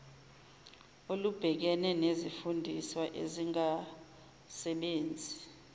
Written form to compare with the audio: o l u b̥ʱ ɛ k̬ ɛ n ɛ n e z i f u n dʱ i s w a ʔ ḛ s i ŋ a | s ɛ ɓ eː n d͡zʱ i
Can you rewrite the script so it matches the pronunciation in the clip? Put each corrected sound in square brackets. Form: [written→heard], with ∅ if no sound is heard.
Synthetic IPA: o l u b̥ʱ ɛ k̬ ɛ n ɛ n e z i f u n dʱ i s w a ʔ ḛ [s→z] i ŋ a | s ɛ ɓ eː n d͡zʱ i